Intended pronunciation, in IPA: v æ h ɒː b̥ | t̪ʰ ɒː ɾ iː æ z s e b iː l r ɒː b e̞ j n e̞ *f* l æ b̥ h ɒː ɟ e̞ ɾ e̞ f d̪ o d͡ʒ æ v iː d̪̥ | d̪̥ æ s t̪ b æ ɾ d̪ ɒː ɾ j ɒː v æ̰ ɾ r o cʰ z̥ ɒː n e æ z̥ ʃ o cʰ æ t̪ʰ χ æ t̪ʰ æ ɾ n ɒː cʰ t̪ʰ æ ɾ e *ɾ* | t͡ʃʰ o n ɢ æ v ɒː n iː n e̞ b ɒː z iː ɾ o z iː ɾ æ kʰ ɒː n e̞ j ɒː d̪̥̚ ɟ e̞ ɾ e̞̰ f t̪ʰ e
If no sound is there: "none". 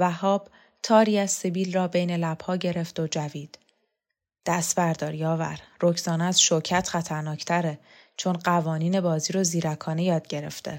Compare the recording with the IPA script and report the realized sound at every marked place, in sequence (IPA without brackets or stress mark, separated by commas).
none, none